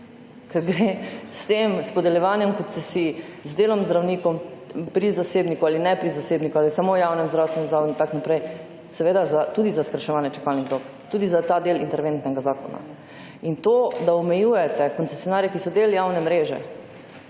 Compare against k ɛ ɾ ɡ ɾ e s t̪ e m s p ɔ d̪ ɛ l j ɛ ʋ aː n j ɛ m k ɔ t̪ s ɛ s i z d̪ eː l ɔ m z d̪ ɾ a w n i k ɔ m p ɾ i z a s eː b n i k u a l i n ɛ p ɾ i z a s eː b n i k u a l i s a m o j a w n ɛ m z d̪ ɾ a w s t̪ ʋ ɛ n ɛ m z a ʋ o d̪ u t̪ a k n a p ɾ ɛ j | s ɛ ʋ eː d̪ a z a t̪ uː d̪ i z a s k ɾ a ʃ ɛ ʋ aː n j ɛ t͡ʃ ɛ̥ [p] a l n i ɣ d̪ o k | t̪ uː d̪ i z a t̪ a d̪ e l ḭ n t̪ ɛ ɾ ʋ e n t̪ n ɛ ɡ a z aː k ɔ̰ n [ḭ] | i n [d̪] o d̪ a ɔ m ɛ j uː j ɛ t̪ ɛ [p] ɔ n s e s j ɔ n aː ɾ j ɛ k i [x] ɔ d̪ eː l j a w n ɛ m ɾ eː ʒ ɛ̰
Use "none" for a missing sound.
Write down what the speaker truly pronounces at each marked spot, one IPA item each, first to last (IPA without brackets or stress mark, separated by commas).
k, a̰, t̪, k, s